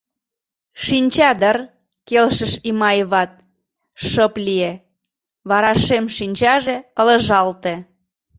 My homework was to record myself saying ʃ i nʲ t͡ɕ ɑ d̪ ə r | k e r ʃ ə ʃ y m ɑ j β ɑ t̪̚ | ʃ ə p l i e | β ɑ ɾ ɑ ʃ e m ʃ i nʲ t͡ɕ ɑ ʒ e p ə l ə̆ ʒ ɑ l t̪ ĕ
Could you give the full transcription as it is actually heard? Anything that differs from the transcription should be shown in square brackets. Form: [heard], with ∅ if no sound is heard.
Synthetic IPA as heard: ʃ i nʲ t͡ɕ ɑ d̪ ə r | k e [l] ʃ ə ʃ [i] m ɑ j β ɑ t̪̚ | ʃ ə p l i e | β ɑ ɾ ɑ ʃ e m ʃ i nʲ t͡ɕ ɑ ʒ e [k] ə l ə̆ ʒ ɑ l t̪ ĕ